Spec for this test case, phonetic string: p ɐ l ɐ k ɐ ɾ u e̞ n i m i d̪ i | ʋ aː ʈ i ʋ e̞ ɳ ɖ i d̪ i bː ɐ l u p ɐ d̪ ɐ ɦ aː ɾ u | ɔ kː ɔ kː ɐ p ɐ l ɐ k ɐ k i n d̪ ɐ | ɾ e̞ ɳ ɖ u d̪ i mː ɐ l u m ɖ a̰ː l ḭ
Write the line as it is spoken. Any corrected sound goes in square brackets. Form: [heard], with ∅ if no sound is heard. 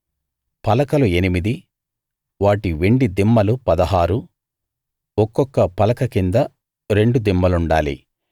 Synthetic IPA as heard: p ɐ l ɐ k ɐ [l] u e̞ n i m i d̪ i | ʋ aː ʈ i ʋ e̞ ɳ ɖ i d̪ i [mː] ɐ l u p ɐ d̪ ɐ ɦ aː ɾ u | ɔ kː ɔ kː ɐ p ɐ l ɐ k ɐ k i n d̪ ɐ | ɾ e̞ ɳ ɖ u d̪ i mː ɐ l u [ɳ] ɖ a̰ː l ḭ